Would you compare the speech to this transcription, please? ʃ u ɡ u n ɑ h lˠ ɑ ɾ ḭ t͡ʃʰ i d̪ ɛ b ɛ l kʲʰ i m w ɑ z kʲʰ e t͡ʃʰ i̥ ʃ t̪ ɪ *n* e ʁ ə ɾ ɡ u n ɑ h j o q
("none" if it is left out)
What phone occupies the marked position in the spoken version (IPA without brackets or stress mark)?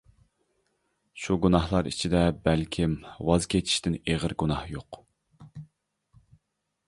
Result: n